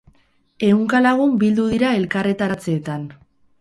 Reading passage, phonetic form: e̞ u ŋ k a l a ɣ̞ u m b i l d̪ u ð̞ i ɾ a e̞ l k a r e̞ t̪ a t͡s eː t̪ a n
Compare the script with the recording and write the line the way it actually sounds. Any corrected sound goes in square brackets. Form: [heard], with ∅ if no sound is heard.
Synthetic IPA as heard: e̞ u ŋ k a l a ɣ̞ u m b i l d̪ u ð̞ i ɾ a e̞ l k a r e̞ t̪ a t͡s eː t̪ a n